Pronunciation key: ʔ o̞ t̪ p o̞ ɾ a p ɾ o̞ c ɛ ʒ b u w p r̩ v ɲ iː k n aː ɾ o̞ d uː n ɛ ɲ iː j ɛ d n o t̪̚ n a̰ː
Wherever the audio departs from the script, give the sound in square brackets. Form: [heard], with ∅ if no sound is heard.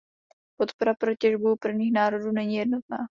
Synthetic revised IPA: [p] o̞ t̪ p o̞ ɾ a p ɾ o̞ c ɛ ʒ b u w p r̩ v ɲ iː [x] n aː ɾ o̞ d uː n ɛ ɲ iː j ɛ d n o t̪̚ n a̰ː